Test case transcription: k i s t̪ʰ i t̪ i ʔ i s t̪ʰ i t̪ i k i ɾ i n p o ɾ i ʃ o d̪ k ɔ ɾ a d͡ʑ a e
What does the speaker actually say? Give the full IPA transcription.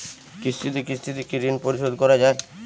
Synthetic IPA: k i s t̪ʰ i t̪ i k i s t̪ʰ i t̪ i k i ɾ i n p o ɾ i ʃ o d̪ k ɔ ɾ a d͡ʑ a e